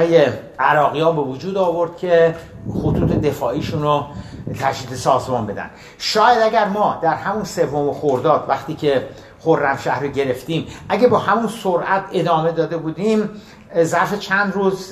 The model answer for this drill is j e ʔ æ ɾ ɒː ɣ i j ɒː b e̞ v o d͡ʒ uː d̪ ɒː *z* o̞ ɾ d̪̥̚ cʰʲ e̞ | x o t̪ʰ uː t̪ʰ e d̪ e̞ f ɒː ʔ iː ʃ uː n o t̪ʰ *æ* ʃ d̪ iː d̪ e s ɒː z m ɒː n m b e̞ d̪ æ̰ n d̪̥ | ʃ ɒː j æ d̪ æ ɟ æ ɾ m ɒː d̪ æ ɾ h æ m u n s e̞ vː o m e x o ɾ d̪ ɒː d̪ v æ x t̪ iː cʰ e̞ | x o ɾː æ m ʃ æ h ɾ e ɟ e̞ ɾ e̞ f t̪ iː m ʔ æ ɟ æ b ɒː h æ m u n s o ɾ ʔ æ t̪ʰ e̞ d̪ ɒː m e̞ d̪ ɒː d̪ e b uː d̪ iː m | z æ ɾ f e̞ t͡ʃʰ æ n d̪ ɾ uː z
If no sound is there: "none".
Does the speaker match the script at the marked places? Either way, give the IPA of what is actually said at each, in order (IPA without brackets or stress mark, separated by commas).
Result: v, æ